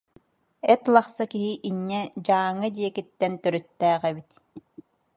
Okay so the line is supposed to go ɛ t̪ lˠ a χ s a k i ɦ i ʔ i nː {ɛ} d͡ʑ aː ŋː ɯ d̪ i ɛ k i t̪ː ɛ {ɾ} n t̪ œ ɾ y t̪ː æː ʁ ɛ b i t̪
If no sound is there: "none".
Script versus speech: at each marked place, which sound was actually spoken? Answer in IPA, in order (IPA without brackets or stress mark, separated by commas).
ɛ, none